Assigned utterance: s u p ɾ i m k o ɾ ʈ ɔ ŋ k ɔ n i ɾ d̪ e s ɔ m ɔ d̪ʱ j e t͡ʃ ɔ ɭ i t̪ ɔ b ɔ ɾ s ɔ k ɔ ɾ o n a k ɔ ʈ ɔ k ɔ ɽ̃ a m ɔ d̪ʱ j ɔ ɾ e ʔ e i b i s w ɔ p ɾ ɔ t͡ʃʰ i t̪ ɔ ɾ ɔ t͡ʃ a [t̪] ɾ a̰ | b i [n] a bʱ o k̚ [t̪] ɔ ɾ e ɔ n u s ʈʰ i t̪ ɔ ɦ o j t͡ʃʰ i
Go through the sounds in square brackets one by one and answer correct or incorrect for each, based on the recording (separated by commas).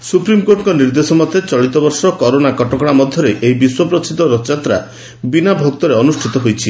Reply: correct, correct, correct